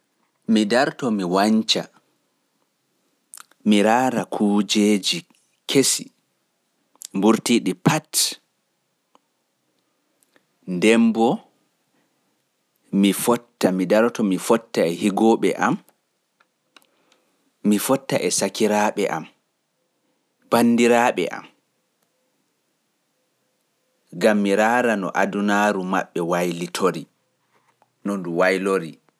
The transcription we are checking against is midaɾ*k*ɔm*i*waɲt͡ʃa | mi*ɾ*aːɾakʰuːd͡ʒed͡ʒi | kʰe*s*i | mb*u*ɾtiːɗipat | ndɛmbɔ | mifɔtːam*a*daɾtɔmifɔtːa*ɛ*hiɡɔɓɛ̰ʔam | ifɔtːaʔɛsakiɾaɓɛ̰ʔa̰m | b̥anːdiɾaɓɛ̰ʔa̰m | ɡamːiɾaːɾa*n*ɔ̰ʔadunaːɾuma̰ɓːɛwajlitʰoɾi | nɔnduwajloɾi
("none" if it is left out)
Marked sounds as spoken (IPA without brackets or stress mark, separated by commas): t, i, ɾ, s, u, i, ɛ, n